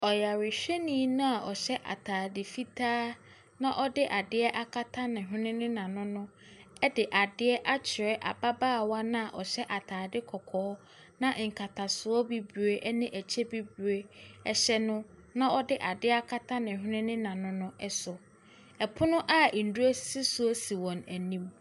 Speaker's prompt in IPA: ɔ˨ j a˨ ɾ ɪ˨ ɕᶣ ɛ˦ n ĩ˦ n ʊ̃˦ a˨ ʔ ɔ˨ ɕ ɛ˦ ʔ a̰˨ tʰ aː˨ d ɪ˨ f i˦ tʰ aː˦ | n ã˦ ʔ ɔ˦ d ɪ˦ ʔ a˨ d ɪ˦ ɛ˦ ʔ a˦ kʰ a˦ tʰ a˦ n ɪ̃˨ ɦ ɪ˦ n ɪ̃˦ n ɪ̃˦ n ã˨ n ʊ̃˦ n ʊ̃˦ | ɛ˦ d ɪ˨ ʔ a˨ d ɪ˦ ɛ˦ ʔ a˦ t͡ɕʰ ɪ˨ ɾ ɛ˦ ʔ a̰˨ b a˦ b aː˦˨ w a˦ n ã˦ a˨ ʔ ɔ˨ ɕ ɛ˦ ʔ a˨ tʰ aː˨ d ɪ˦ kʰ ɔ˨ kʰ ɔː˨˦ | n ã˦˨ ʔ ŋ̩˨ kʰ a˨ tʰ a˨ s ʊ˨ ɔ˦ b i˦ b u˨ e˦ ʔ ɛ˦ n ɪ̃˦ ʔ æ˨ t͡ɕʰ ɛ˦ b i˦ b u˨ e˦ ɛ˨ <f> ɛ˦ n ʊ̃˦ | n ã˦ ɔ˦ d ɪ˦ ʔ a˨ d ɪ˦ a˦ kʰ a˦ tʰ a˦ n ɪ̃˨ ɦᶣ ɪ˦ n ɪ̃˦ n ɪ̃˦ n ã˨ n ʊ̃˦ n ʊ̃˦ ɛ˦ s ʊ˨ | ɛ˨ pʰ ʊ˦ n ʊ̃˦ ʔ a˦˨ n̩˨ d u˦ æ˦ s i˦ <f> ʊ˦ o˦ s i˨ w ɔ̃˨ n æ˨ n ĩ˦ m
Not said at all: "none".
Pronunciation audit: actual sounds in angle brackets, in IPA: ɕ, s

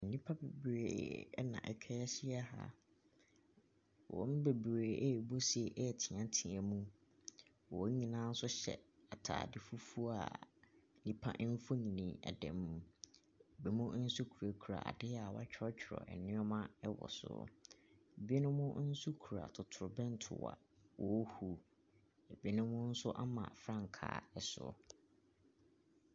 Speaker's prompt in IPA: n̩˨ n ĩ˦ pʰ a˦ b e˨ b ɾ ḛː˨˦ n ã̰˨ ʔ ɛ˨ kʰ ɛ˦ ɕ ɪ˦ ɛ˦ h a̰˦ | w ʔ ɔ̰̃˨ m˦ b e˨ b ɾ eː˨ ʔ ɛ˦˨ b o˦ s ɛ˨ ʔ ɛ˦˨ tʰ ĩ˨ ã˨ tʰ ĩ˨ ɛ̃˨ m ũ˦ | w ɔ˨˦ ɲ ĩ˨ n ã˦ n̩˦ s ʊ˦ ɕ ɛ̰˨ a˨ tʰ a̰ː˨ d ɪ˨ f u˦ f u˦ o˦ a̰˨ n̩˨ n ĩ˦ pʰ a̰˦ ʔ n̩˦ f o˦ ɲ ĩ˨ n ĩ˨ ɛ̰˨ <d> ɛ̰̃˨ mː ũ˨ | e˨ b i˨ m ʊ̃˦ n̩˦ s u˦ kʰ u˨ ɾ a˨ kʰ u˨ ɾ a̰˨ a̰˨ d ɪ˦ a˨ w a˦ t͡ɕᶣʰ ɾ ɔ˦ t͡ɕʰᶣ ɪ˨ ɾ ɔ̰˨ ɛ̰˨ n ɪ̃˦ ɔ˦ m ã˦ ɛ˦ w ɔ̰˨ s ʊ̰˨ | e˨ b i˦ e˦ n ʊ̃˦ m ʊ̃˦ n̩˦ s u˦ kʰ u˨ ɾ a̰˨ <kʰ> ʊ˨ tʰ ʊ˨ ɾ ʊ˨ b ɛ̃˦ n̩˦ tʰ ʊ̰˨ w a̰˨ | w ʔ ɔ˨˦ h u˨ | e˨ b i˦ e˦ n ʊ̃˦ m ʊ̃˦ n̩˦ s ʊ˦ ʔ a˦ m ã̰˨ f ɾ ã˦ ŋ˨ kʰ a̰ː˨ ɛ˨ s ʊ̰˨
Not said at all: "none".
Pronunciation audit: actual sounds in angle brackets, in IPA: d, tʰ

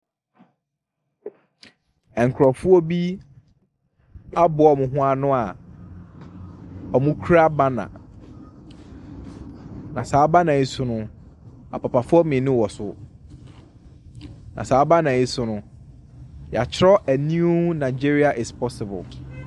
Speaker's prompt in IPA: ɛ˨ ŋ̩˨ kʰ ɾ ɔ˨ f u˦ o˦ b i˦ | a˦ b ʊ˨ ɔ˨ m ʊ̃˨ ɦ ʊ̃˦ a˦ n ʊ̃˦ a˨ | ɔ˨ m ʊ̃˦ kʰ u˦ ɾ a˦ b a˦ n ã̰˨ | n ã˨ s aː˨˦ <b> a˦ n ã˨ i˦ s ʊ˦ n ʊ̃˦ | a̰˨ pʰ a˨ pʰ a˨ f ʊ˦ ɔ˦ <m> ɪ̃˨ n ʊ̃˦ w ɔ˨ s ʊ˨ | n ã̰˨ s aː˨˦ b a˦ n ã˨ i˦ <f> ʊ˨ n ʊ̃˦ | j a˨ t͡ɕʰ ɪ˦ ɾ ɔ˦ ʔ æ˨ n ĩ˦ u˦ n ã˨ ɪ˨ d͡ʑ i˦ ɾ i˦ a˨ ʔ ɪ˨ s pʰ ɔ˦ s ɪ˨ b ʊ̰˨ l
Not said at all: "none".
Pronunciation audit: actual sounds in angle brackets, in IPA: b, m, s

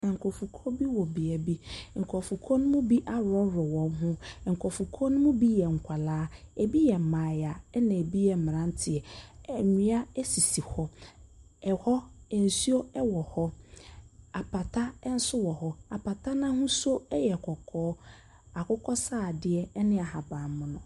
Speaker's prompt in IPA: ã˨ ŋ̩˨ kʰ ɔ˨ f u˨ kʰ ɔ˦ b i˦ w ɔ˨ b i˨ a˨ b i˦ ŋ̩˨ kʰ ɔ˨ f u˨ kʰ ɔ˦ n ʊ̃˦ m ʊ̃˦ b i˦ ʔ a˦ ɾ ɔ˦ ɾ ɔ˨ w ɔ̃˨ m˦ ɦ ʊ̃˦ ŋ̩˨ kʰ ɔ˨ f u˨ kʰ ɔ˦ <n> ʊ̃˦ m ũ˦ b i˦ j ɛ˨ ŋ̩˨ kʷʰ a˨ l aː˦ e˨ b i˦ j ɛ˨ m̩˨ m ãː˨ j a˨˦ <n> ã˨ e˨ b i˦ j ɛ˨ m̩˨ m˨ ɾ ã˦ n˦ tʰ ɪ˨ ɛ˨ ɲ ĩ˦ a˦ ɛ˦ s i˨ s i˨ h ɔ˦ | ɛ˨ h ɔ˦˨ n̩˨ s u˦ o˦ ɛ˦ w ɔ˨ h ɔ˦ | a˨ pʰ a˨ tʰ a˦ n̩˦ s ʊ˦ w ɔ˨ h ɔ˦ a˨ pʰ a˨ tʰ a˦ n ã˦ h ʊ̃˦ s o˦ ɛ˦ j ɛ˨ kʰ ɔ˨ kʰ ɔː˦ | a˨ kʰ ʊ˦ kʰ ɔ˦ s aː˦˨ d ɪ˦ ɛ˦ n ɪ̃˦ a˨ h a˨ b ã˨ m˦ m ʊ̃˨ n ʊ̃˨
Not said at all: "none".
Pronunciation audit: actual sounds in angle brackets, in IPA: n, n

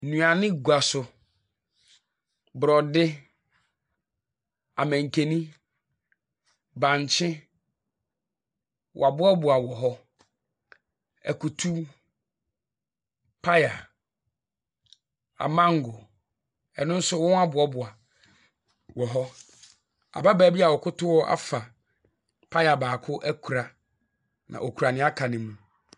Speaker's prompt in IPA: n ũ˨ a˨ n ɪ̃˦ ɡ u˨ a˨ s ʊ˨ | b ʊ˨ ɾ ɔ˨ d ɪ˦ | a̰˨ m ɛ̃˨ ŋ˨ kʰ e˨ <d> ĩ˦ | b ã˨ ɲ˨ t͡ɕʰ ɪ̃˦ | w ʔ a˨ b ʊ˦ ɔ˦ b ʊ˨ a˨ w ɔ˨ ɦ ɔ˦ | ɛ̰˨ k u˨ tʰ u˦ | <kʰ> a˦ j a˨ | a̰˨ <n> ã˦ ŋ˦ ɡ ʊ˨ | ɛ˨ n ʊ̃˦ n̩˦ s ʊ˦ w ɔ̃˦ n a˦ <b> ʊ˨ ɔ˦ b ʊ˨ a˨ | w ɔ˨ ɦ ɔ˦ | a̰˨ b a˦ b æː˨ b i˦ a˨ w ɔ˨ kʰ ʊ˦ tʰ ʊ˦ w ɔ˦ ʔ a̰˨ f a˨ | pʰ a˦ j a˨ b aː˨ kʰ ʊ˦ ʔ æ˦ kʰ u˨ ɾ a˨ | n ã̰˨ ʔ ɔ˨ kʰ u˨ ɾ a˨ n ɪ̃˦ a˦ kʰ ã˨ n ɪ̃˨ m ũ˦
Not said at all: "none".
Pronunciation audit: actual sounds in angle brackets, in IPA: n, pʰ, m, b

